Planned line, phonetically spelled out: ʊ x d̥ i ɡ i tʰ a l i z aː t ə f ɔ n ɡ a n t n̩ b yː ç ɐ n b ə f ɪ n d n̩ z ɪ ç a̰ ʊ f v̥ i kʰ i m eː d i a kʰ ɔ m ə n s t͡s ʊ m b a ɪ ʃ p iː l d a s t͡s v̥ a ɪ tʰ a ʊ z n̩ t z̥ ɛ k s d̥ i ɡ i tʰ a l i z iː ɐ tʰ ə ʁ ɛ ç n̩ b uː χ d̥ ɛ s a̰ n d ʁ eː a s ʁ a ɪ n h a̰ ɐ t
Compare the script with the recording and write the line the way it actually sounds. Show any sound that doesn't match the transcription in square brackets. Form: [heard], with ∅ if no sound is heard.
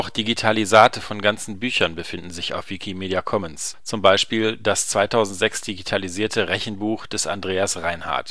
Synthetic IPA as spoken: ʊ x d̥ i ɡ i tʰ a l i z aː t ə f ɔ n ɡ a n [t͡s] n̩ b yː ç ɐ n b ə f ɪ n d n̩ z ɪ ç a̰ ʊ f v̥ i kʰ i m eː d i a kʰ ɔ m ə n s t͡s ʊ m b a ɪ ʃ p iː l d a s t͡s v̥ a ɪ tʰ a ʊ z n̩ t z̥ ɛ k s d̥ i ɡ i tʰ a l i z iː ɐ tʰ ə ʁ ɛ ç n̩ b uː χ d̥ ɛ s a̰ n d ʁ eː a s ʁ a ɪ n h a̰ ɐ t